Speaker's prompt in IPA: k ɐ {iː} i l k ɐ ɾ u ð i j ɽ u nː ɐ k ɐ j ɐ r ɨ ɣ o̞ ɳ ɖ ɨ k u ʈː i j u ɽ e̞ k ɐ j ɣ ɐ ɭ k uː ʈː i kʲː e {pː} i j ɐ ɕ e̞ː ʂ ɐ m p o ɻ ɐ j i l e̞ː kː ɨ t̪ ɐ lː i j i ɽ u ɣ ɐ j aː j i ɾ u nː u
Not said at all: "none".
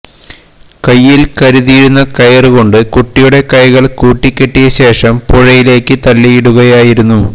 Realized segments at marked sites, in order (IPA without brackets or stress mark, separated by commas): jː, ʈː